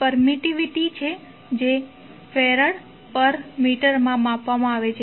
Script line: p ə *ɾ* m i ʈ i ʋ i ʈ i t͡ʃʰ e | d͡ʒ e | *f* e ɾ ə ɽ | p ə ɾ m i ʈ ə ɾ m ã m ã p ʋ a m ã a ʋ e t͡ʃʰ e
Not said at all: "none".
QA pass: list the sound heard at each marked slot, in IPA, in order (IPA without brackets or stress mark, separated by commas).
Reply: ɾ, f